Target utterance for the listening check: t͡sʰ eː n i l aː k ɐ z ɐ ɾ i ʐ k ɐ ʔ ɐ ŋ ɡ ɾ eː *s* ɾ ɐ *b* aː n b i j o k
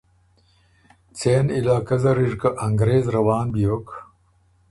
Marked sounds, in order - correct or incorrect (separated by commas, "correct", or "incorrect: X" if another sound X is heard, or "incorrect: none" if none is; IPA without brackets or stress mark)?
incorrect: z, incorrect: w